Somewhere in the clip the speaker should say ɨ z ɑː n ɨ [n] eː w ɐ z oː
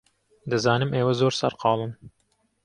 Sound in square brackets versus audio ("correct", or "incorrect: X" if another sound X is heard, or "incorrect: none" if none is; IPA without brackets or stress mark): incorrect: m